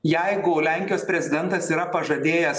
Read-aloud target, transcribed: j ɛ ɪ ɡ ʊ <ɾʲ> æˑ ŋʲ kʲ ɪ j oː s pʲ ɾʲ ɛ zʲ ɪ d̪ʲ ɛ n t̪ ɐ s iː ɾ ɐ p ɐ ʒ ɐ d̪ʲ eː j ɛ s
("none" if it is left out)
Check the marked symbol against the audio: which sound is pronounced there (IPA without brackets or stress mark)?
lʲ